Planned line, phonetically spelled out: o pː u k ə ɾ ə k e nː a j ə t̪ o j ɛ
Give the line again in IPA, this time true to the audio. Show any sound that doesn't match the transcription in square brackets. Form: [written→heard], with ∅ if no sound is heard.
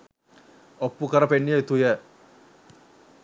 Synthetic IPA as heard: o pː u k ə ɾ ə [k→p] e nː [a→i] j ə t̪ [o→u] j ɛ